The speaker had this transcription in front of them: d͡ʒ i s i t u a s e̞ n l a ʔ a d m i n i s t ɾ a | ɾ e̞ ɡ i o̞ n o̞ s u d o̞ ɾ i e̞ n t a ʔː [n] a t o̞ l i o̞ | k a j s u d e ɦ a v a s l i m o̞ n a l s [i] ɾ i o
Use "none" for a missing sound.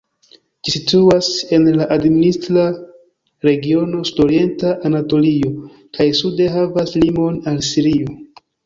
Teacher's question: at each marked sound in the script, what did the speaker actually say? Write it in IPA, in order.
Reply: n, i

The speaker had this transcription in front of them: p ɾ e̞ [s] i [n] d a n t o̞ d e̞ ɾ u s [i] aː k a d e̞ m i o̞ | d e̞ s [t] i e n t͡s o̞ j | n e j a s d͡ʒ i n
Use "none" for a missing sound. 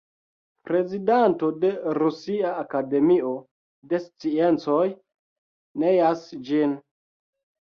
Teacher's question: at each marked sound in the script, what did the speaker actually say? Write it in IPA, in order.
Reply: z, none, i, t͡s

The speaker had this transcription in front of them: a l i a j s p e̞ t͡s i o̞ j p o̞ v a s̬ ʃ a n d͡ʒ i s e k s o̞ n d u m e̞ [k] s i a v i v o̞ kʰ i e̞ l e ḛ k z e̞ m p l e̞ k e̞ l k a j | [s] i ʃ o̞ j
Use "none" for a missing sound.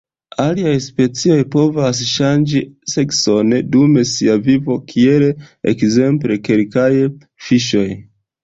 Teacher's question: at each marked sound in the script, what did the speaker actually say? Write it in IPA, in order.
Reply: none, f

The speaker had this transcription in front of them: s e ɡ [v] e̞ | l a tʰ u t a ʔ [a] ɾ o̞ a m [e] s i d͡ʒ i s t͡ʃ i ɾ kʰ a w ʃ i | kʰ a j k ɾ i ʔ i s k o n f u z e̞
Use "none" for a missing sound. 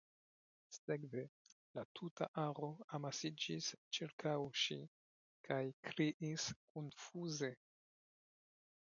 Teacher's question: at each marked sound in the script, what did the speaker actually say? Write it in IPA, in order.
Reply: v, a, a

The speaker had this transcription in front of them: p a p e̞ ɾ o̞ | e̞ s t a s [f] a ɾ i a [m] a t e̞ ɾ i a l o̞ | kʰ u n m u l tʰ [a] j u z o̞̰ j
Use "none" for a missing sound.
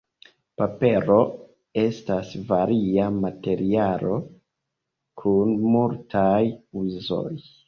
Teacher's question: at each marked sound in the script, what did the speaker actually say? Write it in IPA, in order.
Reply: v, m, a

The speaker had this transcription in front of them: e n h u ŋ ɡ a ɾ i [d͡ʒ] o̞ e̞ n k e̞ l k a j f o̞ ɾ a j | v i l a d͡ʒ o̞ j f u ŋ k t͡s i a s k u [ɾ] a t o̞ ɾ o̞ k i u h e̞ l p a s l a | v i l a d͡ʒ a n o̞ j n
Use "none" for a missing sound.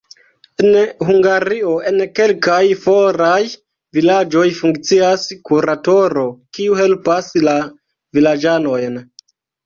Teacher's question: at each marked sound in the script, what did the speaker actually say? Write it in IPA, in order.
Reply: none, ɾ

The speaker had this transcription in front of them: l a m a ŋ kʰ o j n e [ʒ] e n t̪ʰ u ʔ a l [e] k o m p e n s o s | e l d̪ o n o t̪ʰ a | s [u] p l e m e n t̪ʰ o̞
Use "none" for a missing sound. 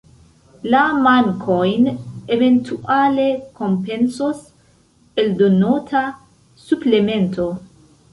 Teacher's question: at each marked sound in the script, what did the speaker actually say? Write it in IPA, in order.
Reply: v, e, u

